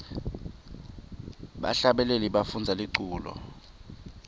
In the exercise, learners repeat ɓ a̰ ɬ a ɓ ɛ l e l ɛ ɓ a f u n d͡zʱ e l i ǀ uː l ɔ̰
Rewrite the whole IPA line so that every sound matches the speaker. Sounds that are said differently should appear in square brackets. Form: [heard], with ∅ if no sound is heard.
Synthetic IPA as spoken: ɓ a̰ ɬ a ɓ ɛ l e l [i] ɓ a f u n d͡zʱ [a] l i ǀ uː l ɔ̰